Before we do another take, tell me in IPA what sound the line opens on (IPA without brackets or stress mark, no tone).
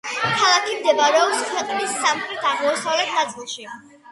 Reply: kʰ